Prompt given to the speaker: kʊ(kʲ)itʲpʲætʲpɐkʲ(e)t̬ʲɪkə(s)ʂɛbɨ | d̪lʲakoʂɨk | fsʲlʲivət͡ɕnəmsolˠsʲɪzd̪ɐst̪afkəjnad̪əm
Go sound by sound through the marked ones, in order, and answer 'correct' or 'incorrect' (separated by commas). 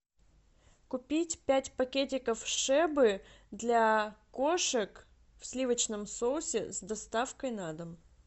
incorrect, correct, incorrect